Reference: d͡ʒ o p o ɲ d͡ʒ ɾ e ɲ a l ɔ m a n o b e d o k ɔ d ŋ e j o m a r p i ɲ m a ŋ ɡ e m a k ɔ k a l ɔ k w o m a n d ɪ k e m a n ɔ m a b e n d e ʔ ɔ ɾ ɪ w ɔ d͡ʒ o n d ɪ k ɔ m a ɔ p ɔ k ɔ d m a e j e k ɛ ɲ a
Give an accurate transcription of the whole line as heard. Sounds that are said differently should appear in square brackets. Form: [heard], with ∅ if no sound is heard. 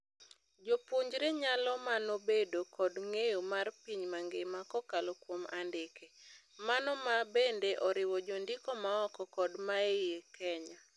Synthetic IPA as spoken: d͡ʒ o p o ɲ d͡ʒ ɾ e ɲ a l ɔ m a n o b e d o k ɔ d ŋ e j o m a r p i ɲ m a ŋ ɡ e m a k ɔ k a l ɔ k w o m a n d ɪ k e m a n ɔ m a b e n d e ʔ ɔ ɾ ɪ w ɔ d͡ʒ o n d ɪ k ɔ m a ɔ [k] ɔ k ɔ d m a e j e k ɛ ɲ a